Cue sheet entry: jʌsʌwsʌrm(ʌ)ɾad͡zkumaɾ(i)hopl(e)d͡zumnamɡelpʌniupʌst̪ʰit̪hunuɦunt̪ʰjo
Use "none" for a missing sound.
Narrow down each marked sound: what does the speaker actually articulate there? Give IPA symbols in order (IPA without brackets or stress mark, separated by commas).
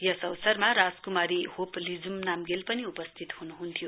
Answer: a, i, i